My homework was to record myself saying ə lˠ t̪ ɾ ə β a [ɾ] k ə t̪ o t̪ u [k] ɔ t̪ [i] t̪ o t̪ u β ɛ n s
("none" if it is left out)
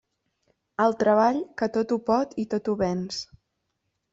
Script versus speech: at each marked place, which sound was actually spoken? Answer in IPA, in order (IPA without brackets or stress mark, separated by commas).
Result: ʎ, p, i